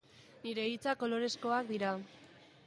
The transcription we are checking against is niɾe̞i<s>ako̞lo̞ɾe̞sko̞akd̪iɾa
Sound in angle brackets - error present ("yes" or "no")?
yes